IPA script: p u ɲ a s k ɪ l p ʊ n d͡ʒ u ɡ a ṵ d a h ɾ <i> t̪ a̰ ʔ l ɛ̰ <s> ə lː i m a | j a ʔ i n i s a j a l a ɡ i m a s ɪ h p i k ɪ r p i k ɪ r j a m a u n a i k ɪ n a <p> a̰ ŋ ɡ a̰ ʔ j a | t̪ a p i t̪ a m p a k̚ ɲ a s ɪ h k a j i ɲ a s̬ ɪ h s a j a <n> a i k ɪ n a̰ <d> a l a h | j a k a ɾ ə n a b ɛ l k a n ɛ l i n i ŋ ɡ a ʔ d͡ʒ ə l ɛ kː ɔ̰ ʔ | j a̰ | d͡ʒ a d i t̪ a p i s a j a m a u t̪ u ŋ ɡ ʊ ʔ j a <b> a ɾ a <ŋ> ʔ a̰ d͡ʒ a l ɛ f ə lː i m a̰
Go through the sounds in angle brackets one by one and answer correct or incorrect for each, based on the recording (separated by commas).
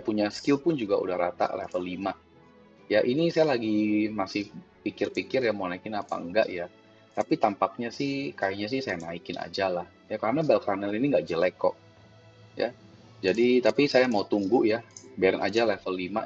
incorrect, incorrect, correct, correct, incorrect, correct, incorrect